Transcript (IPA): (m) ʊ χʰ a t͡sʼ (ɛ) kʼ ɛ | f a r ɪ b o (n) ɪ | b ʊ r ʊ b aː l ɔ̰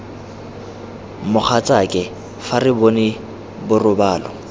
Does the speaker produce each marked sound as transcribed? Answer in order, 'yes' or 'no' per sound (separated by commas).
yes, no, yes